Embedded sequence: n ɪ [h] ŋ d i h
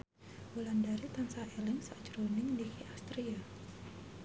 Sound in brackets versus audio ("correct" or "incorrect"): incorrect